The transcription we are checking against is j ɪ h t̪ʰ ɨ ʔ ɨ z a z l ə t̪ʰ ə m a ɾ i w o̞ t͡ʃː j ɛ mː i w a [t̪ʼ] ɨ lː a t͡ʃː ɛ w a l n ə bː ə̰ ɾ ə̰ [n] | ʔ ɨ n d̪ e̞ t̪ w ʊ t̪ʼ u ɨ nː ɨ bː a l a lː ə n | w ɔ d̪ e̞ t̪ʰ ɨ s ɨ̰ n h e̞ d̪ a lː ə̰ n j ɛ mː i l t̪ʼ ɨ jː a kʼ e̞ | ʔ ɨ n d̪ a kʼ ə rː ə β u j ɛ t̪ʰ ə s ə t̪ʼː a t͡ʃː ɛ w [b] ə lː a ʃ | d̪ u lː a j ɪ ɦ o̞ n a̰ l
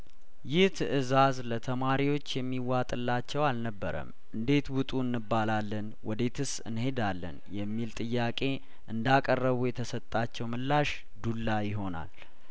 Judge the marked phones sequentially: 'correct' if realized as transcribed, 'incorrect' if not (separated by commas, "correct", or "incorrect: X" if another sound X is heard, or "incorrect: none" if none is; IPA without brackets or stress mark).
correct, incorrect: m, incorrect: m